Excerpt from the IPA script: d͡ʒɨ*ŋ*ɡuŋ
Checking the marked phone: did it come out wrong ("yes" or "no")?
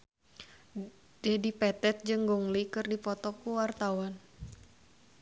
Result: no